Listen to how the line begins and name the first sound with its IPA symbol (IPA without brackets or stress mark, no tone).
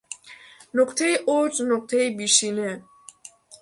n